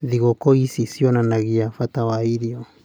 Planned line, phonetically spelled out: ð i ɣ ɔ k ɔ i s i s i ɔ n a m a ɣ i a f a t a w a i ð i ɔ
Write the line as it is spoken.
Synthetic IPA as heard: ð i ɣ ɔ k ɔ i s i s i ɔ n a n a ɣ i a f a t a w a i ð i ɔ